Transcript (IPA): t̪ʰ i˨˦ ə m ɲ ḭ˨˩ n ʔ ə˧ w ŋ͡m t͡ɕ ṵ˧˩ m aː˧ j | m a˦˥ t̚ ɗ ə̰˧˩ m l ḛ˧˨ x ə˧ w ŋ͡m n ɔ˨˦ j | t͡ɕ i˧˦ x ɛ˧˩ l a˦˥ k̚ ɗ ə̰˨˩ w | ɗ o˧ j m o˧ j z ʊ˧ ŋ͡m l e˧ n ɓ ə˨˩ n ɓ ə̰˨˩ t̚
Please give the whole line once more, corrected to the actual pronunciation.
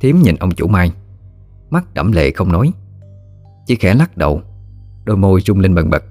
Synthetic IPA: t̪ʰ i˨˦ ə m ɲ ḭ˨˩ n ʔ ə˧ w ŋ͡m t͡ɕ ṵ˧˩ m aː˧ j | m a˦˥ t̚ ɗ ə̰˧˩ m l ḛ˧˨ x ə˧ w ŋ͡m n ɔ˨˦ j | t͡ɕ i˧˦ x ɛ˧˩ l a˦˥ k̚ ɗ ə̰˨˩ w | ɗ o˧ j m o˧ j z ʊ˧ ŋ͡m l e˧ n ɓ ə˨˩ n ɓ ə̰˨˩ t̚